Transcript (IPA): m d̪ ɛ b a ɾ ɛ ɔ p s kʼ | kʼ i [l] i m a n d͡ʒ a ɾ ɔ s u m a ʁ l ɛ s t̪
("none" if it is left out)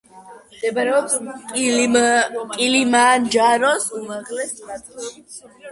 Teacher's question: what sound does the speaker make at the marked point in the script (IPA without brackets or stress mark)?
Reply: l